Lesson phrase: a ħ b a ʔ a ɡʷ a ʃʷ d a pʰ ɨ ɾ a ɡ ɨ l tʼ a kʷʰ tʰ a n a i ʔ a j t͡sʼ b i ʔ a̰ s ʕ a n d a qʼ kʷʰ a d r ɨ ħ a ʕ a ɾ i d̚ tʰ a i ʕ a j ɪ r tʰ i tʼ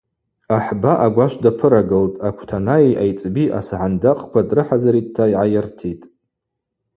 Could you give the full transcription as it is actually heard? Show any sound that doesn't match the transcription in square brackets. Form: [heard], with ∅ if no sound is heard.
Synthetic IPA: a ħ b a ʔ a ɡʷ a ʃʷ d a pʰ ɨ ɾ a ɡ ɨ l tʼ a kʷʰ tʰ a n a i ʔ a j t͡sʼ b i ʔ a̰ s ʕ a n d a qʼ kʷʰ a d r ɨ ħ a [z] a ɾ i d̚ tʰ a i ʕ a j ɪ r tʰ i tʼ